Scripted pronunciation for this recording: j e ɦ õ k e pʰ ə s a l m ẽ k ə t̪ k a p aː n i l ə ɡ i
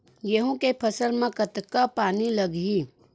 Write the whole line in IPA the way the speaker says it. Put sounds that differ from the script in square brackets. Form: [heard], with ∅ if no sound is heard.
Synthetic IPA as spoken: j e ɦ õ k e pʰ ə s [ə] l m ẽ k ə t̪ k a p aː n i l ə ɡ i